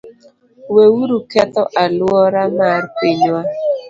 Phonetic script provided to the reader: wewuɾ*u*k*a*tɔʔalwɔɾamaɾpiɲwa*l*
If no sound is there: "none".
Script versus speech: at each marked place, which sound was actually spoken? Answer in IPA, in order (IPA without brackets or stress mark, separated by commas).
u, ɛ, none